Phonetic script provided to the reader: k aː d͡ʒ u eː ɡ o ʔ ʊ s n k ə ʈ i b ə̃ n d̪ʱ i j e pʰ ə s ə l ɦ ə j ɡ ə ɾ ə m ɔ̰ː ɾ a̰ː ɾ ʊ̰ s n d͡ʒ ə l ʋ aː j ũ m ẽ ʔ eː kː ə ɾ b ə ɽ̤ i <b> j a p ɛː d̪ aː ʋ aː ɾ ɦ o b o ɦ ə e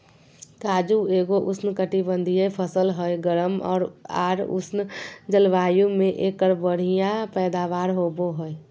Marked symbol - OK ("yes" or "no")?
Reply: no